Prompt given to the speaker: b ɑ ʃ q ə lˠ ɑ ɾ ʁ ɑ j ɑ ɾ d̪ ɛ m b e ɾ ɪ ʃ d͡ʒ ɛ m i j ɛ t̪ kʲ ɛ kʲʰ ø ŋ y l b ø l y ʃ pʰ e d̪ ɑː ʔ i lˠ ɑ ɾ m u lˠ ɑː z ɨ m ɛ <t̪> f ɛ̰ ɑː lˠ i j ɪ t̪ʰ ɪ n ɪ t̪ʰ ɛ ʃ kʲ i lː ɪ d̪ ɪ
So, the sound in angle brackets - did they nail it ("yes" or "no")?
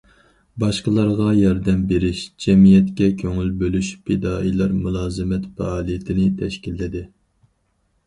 yes